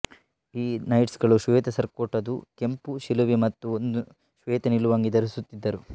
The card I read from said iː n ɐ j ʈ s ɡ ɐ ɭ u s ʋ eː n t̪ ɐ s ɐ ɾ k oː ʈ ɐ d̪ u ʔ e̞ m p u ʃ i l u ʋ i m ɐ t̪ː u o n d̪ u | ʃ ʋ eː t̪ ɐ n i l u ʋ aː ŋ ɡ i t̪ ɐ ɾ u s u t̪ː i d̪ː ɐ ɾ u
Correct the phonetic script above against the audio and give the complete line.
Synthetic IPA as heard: iː n ɐ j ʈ s ɡ ɐ ɭ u ʃ ʋ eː t̪ ɐ s ɐ ɾ k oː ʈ ɐ d̪ u k e̞ m p u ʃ i l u ʋ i m ɐ t̪ː u o n d̪ u | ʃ ʋ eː t̪ ɐ n i l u ʋ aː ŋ ɡ i d̪ ɐ ɾ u s u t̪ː i d̪ː ɐ ɾ u